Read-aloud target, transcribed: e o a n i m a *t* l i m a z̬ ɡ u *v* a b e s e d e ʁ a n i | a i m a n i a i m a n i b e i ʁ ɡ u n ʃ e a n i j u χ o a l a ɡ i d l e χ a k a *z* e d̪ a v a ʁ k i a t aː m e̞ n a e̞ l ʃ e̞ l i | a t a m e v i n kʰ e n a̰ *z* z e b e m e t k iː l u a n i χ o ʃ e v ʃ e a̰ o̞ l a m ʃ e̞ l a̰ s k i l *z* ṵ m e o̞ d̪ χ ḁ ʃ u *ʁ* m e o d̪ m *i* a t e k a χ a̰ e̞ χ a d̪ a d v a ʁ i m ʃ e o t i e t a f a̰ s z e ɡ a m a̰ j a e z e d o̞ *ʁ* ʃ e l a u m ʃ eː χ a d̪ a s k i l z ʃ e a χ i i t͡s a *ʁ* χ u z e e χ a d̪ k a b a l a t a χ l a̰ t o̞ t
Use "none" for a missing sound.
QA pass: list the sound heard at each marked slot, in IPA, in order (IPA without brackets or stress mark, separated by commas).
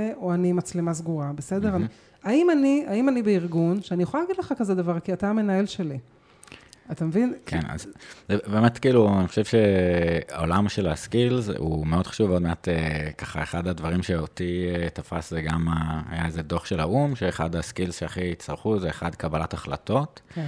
t͡s, ʁ, z, z, z, v, e, χ, ʁ